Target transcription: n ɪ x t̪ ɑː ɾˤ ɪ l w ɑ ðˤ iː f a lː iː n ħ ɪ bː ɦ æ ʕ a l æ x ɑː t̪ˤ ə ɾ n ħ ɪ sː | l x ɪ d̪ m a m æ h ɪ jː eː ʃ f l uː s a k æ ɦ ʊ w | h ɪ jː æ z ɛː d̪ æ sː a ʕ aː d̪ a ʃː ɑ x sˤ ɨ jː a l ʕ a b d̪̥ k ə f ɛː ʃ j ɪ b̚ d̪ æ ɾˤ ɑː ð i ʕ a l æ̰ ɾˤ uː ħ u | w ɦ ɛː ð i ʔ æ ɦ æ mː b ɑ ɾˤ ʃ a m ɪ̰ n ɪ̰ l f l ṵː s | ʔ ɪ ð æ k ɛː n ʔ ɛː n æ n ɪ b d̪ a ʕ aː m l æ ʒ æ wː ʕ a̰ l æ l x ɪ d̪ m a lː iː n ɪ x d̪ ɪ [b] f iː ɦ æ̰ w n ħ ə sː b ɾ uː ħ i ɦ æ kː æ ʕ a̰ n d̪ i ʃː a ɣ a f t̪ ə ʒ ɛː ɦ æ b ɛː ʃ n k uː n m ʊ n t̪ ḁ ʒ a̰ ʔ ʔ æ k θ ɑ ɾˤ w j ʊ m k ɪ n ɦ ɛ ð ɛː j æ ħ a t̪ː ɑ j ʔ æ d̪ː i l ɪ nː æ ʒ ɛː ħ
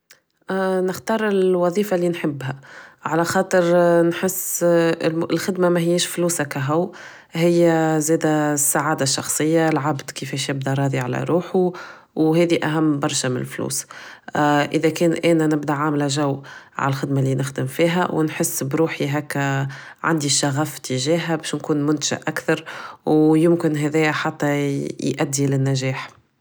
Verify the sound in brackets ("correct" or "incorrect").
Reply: incorrect